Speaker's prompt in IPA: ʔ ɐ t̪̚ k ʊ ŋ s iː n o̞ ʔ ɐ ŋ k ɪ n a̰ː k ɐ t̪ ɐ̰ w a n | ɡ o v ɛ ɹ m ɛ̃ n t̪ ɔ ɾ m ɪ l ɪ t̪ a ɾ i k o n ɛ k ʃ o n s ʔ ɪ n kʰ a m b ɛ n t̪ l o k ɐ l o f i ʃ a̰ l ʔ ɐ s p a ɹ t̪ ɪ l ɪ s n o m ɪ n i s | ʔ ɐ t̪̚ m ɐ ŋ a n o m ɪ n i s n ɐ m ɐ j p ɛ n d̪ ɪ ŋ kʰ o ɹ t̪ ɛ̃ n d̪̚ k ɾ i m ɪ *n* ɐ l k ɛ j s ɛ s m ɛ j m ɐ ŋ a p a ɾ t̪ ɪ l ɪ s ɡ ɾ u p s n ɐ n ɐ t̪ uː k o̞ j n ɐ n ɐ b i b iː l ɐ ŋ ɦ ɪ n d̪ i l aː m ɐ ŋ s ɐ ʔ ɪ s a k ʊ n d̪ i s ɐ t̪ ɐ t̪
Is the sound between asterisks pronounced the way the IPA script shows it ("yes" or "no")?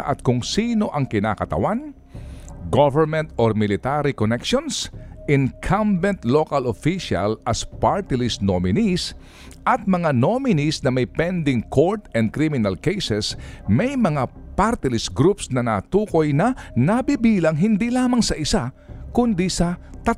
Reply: yes